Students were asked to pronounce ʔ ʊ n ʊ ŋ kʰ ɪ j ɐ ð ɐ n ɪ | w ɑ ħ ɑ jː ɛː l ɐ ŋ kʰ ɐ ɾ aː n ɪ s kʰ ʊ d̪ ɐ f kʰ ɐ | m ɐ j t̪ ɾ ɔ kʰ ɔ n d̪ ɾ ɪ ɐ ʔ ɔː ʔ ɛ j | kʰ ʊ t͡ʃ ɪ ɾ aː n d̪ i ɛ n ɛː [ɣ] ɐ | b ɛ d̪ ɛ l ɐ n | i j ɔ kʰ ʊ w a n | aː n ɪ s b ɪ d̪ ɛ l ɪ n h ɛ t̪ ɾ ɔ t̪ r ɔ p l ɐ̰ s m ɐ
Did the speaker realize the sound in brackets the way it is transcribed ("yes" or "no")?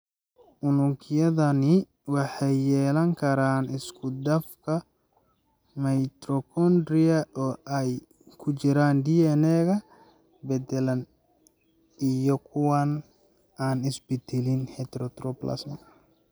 yes